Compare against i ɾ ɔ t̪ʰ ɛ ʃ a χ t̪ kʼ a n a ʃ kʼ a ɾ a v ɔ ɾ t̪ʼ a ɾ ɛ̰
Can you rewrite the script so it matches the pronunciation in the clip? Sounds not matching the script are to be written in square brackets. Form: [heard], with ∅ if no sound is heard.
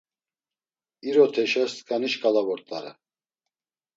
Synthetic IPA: i ɾ ɔ t̪ʰ ɛ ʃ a [s] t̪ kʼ a n [i] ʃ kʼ a [l] a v ɔ ɾ t̪ʼ a ɾ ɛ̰